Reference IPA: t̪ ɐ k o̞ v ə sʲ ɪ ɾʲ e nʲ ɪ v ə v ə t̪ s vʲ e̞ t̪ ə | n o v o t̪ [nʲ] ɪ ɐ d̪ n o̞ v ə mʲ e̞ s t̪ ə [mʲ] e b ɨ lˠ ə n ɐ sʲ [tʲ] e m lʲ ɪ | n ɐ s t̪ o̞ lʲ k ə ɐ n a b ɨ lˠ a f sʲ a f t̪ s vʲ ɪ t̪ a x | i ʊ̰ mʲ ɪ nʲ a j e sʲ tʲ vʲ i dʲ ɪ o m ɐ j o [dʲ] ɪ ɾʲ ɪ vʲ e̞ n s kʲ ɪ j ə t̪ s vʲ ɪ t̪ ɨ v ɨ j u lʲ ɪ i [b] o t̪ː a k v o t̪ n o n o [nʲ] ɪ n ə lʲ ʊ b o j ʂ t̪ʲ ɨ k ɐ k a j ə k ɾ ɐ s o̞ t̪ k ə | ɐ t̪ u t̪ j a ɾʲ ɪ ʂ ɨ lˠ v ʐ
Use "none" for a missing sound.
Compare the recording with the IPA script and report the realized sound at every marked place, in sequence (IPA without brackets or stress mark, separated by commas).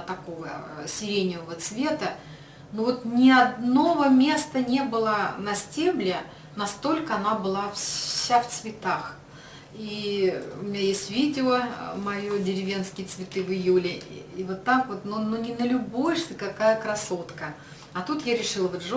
nʲ, nʲ, tʲ, dʲ, v, nʲ